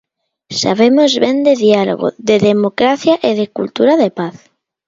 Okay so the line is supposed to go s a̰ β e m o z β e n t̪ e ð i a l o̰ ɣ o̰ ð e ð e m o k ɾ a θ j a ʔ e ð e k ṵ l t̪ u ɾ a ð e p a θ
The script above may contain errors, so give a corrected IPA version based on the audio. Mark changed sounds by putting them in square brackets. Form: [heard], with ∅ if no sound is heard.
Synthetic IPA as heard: s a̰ β e m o z β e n [d̪] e ð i a l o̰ ɣ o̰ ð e ð e m o k ɾ a θ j a ʔ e ð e k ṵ l t̪ u ɾ a ð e p a θ